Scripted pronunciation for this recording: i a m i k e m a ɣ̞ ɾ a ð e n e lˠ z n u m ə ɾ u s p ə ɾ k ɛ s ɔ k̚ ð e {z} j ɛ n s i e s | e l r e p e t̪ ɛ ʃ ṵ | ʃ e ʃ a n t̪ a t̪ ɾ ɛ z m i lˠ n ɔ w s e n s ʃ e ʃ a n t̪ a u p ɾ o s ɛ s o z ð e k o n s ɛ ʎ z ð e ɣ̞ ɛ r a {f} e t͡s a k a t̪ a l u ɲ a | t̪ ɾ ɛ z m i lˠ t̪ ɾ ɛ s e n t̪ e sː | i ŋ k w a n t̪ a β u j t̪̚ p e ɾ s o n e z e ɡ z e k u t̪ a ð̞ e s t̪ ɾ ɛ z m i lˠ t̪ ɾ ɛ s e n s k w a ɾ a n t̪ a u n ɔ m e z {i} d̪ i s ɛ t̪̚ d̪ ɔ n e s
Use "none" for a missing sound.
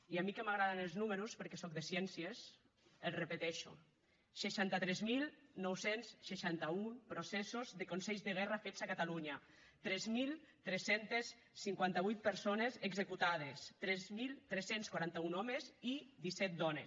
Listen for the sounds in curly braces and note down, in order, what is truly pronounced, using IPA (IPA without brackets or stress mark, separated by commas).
s, f, i